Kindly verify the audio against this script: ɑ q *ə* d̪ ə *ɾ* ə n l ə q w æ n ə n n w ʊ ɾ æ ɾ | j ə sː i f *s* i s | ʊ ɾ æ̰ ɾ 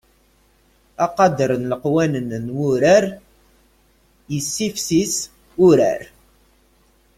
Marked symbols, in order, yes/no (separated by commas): no, yes, yes